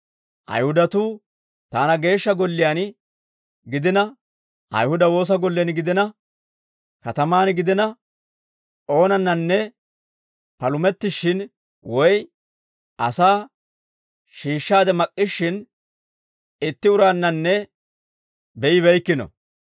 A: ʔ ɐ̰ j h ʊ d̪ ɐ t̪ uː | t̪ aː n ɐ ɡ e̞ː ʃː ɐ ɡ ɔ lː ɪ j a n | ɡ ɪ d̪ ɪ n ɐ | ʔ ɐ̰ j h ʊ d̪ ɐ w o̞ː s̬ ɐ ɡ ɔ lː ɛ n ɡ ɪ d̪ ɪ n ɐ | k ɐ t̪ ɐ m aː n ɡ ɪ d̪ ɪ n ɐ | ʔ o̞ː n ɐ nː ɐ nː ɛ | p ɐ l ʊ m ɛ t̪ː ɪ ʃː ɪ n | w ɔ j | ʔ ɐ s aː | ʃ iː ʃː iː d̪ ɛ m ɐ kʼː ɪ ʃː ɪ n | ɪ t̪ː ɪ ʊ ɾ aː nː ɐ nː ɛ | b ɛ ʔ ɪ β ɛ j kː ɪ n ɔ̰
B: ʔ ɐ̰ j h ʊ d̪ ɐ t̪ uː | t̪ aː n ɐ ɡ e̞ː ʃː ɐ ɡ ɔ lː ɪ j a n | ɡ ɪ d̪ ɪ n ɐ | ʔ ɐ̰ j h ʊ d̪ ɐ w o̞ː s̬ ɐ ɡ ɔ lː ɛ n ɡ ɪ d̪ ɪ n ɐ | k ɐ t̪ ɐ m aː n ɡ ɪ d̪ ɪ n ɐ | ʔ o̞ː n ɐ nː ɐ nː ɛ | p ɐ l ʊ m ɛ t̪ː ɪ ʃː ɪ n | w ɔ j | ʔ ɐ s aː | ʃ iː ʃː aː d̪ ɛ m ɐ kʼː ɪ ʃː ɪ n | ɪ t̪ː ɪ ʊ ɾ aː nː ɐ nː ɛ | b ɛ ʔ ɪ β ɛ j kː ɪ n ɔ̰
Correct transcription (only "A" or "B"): B